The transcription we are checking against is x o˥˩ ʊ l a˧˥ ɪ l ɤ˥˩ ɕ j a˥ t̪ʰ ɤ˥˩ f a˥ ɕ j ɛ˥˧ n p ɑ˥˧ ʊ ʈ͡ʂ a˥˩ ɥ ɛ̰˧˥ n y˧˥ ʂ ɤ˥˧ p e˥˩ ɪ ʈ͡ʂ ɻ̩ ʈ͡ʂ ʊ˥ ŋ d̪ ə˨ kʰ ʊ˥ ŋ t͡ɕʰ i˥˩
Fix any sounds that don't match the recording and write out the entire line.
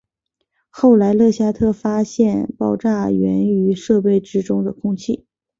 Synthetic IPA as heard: x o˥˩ ʊ l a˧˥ ɪ l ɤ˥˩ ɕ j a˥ t̪ʰ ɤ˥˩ f a˥ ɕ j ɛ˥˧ n p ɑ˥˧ ʊ ʈ͡ʂ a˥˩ ɥ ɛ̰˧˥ n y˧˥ ʂ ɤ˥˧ p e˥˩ ɪ ʈ͡ʂ ɻ̩ ʈ͡ʂ ʊ˥ ŋ d̪ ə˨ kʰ ʊ˥ ŋ t͡ɕʰ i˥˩